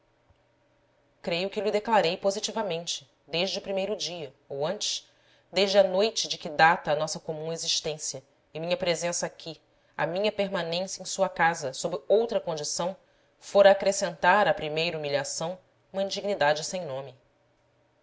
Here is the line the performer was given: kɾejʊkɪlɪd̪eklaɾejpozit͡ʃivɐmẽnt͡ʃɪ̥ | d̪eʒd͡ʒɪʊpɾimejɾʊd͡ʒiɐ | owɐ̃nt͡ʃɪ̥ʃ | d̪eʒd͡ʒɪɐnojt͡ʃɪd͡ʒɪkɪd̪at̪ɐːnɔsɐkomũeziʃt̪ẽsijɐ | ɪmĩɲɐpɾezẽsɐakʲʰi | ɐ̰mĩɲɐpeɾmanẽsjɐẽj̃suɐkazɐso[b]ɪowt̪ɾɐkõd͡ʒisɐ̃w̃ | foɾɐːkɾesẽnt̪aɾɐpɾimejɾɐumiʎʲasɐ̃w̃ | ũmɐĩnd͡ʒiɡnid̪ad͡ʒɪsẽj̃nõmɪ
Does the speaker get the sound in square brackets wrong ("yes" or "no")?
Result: no